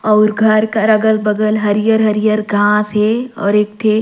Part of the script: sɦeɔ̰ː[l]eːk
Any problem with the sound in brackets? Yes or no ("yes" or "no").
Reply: yes